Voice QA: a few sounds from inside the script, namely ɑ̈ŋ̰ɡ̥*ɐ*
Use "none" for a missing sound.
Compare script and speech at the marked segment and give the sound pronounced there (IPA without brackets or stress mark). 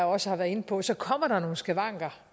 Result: ɐ